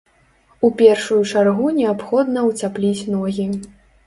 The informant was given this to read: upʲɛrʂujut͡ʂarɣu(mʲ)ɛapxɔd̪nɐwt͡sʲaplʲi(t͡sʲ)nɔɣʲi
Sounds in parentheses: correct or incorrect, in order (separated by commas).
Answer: incorrect, correct